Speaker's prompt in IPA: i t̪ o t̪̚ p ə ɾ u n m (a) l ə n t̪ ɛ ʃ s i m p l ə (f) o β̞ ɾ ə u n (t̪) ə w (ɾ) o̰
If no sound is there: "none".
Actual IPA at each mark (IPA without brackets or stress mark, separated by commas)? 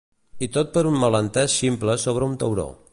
ə, s, t̪, ɾ